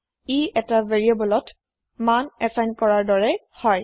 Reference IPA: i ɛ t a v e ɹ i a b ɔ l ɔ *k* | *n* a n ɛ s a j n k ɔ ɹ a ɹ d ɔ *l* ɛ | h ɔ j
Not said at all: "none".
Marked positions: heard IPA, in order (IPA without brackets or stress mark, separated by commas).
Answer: t, m, ɹ